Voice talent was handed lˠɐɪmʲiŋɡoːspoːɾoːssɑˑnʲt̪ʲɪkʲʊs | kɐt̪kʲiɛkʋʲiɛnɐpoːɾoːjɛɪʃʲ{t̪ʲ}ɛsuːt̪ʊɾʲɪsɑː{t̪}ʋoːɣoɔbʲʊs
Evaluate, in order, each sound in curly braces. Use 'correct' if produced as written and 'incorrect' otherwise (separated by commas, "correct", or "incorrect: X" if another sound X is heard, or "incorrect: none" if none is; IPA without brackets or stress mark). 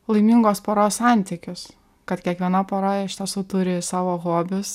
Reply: correct, incorrect: none